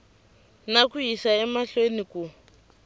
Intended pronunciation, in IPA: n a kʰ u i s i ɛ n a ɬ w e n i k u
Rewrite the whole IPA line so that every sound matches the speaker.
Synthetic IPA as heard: n a k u i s a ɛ m a ɬ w e n i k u

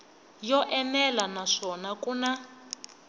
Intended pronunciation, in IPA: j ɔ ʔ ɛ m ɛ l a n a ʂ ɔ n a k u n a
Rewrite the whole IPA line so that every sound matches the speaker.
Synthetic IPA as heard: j ɔ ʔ ɛ m ɛ l a n a ʂ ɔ n a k u n a

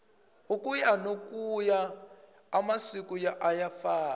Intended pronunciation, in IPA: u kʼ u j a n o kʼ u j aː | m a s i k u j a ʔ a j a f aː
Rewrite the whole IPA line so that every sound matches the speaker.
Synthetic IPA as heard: u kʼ u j a n o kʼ u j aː | m a s i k u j a ʔ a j a f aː

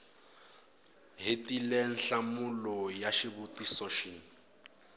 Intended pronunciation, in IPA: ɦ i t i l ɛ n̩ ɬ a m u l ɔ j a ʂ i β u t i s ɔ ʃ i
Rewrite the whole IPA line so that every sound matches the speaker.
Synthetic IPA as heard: ɦ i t i l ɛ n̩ ɬ a m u l ɔ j a ʃ i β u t i s ɔ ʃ i

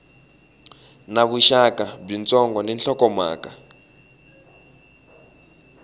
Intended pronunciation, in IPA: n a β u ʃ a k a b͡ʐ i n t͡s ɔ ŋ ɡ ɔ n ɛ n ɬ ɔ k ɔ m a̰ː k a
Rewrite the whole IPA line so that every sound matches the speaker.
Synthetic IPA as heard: n a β u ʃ a k a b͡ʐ i n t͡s ɔ ŋ ɡ ɔ n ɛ n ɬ ɔ k ɔ m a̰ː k a

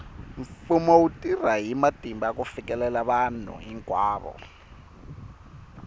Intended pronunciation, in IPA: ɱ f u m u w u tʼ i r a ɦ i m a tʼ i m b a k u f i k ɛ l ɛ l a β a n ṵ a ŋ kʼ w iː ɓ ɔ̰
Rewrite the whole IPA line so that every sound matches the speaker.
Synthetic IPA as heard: ɱ f u m ɔ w u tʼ i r a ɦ i m a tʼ i m b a k u f i k ɛ l ɛ l a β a n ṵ i ŋ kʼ w aː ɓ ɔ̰

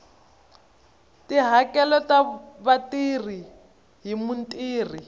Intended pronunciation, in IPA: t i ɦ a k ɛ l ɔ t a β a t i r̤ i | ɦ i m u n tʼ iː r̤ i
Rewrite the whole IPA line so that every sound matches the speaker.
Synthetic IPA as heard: t i ɦ a k ɛ l ɔ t a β a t i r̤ i | ɦ i m u n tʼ iː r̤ i

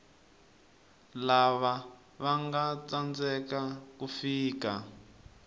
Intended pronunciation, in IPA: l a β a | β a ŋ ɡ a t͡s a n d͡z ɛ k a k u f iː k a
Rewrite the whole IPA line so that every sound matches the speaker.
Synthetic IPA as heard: l a β a | β a ŋ ɡ a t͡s a n d͡z ɛ k a k u f iː k a

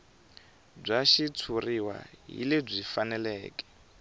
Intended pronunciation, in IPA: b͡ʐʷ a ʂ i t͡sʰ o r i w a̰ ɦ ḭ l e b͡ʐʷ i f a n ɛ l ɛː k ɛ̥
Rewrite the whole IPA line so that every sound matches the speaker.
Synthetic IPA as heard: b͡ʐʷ a ʃ i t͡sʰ u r i w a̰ ɦ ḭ l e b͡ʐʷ i f a n ɛ l ɛː k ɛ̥

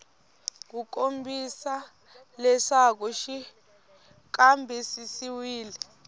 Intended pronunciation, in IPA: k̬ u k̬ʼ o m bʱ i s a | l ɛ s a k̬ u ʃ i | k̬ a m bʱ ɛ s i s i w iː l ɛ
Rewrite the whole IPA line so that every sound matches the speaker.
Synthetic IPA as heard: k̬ u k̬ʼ o m bʱ i s a | l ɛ s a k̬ u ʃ i | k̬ a m bʱ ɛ s i s i w iː l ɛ

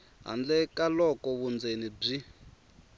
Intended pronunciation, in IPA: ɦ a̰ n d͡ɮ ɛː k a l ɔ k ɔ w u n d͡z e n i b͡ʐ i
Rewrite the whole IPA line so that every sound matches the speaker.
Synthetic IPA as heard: ɦ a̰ n d͡ɮ ɛ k a l ɔ k ɔ β u n d͡z e n i b͡ʐ i

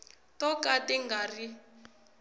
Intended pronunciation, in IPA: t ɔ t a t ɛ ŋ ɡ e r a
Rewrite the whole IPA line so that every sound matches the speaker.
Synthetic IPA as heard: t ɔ k a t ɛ ŋ ɡ a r i

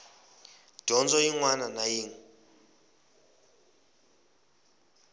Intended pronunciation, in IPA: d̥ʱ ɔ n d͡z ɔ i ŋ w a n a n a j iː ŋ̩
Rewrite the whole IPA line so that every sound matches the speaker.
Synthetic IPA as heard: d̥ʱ ɔ n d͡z ɔ i ŋ w a n a n a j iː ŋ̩

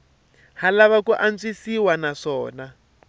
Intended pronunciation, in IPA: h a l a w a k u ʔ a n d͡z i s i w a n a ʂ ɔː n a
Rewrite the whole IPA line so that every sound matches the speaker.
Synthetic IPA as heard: h a l a β a k u ʔ a n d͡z i s i w a n a ʂ ɔː n a

